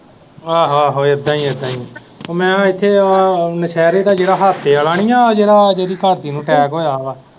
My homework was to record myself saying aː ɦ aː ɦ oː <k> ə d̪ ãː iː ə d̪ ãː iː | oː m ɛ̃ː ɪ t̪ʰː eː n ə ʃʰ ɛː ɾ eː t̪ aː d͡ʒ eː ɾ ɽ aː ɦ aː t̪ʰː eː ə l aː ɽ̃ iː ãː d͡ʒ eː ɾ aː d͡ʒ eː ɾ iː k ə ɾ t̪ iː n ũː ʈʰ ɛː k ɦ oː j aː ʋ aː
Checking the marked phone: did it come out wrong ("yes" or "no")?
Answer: yes